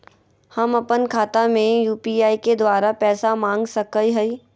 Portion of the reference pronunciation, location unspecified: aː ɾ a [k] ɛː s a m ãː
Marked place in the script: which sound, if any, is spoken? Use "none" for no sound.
p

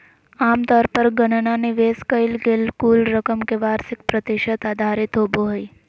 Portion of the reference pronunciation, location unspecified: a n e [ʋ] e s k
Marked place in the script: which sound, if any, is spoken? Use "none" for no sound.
ʋ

